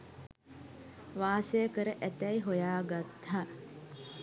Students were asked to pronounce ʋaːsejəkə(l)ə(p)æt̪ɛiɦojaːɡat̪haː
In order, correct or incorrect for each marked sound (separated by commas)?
incorrect, incorrect